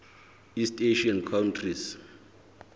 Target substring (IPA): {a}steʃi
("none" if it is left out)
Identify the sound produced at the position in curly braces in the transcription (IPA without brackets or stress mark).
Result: i